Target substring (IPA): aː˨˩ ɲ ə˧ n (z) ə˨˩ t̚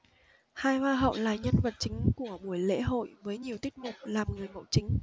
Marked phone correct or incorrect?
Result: incorrect